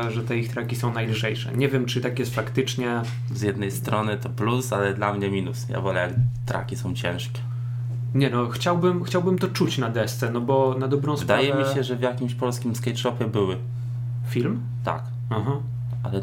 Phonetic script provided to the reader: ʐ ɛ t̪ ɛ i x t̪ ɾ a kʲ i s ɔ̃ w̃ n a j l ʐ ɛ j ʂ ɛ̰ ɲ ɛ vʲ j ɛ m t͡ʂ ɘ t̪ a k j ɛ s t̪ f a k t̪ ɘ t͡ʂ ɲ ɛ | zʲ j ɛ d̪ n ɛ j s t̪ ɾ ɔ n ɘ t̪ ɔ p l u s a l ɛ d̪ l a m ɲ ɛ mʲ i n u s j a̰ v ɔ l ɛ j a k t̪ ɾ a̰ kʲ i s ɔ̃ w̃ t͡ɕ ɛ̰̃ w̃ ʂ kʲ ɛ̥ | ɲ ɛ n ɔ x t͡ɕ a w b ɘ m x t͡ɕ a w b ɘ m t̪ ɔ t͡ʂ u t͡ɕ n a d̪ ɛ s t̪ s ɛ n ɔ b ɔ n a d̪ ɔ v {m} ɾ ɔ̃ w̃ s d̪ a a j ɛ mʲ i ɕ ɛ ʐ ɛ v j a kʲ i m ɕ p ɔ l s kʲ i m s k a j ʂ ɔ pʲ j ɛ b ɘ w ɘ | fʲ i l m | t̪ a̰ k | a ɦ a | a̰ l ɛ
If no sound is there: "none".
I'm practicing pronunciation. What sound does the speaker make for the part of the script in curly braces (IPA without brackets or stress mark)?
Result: b